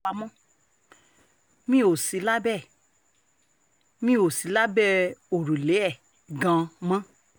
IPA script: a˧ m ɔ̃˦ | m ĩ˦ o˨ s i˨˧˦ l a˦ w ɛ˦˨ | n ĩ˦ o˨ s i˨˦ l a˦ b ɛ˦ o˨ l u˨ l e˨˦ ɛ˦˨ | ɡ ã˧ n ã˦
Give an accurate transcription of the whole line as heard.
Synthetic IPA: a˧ m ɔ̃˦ | m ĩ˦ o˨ s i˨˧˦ l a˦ b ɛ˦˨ | m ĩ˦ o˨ s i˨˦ l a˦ b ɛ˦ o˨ ɾ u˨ l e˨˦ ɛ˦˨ | ɡ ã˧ m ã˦